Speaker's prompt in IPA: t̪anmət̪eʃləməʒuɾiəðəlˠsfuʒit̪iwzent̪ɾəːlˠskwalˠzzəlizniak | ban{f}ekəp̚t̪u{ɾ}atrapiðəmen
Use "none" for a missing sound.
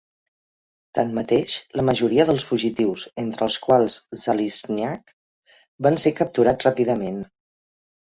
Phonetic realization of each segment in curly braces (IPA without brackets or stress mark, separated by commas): s, ɾ